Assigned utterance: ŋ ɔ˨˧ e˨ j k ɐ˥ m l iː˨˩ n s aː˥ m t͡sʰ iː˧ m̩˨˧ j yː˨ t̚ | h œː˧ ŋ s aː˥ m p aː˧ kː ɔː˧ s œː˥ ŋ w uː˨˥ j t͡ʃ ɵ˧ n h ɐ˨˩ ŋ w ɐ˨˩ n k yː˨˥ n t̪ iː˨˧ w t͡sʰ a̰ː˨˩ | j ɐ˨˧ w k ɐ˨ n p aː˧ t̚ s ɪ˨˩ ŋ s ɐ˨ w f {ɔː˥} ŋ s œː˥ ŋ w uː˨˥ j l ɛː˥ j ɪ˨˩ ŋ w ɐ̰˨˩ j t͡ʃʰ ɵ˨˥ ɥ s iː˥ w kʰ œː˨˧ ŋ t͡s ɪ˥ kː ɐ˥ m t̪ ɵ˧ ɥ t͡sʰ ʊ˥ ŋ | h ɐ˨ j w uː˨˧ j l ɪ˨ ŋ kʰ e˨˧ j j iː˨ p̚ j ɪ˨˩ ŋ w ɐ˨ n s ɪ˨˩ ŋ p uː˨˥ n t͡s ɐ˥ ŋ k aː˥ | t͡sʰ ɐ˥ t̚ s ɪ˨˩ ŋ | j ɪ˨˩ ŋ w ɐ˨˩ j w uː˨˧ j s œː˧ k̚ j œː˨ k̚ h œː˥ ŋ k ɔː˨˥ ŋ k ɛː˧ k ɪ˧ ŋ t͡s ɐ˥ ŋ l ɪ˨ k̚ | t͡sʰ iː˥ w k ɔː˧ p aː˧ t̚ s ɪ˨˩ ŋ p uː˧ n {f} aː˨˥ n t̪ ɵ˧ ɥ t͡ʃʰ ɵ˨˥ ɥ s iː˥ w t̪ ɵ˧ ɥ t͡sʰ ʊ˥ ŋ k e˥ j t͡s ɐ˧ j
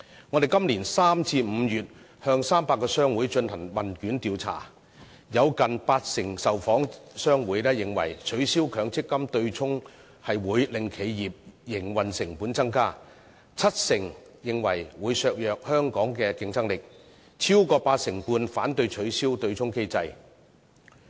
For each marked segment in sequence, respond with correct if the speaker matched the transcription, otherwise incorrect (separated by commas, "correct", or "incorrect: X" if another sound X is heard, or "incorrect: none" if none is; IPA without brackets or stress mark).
incorrect: ɔː˨˥, correct